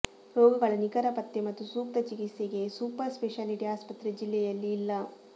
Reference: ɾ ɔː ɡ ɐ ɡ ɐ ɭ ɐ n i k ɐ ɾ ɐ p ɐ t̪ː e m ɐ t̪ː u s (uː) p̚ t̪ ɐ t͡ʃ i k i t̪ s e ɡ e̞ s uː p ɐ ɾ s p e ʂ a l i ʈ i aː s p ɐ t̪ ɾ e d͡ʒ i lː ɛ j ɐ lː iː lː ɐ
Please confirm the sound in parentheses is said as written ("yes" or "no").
yes